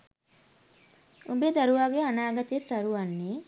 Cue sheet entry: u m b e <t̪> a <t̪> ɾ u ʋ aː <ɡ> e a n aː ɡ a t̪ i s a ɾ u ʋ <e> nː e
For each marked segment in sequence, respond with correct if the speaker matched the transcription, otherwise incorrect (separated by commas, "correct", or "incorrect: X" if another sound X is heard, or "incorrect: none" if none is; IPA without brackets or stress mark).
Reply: incorrect: d̪, incorrect: none, correct, incorrect: a